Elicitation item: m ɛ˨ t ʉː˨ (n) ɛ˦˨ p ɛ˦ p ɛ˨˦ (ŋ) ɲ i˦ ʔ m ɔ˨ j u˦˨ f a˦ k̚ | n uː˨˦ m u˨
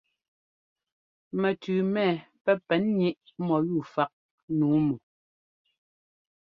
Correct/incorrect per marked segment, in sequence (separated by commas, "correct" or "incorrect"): incorrect, incorrect